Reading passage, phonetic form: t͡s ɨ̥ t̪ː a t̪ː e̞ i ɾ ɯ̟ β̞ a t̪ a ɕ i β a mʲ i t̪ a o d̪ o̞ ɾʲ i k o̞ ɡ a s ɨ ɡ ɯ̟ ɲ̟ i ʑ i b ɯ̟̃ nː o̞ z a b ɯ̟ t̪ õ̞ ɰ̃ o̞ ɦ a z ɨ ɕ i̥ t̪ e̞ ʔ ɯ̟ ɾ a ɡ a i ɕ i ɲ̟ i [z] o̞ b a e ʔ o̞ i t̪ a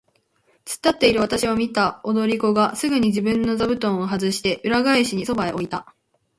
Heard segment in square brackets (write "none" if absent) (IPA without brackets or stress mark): s